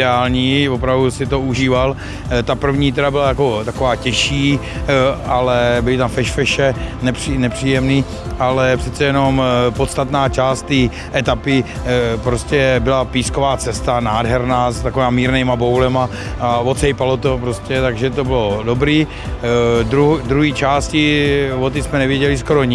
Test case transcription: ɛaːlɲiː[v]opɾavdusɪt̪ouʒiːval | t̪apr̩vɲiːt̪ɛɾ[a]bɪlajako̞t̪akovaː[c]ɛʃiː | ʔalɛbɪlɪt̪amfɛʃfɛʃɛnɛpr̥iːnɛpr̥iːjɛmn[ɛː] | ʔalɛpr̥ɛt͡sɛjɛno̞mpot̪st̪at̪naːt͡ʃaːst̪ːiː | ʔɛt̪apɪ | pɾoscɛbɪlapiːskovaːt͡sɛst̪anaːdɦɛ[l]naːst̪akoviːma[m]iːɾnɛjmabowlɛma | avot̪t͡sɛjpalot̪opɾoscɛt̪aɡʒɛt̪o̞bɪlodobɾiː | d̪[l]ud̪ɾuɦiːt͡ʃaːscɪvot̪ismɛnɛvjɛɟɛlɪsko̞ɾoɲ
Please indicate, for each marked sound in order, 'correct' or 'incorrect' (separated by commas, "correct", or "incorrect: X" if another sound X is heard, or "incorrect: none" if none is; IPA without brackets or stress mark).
correct, correct, correct, incorrect: iː, incorrect: ɾ, correct, incorrect: ɾ